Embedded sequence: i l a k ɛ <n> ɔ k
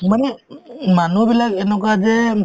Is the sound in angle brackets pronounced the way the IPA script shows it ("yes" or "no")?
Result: yes